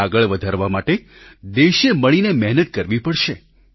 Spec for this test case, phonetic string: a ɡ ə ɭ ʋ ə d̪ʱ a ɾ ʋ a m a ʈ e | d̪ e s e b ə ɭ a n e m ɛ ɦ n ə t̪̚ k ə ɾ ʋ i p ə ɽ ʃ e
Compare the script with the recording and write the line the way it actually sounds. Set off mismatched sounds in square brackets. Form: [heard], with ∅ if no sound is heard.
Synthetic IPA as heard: a ɡ ə ɭ ʋ ə d̪ʱ a ɾ ʋ a m a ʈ e | d̪ e [ʃ] e [m] ə ɭ [i] n e m ɛ ɦ n ə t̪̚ k ə ɾ ʋ i p ə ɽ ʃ e